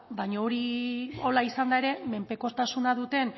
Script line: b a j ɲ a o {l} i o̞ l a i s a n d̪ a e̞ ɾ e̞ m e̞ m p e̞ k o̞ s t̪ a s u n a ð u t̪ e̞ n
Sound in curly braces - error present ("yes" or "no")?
yes